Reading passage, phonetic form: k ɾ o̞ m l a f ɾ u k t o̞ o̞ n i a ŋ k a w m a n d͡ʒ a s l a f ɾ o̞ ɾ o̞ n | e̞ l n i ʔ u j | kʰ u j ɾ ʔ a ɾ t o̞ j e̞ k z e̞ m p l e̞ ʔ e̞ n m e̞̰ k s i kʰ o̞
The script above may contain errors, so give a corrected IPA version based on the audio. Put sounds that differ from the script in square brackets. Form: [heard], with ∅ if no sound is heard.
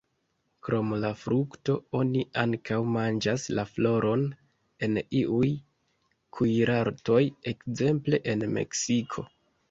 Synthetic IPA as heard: k ɾ o̞ m l a f ɾ u k t o̞ o̞ n i a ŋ k a w m a n d͡ʒ a s l a f [l] o̞ ɾ o̞ n | e̞ [∅] n i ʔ u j | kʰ u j ɾ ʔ a ɾ t o̞ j e̞ k z e̞ m p l e̞ ʔ e̞ n m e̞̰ k s i kʰ o̞